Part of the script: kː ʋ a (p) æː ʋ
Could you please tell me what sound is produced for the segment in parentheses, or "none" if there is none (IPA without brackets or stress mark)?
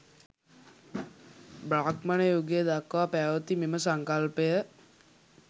p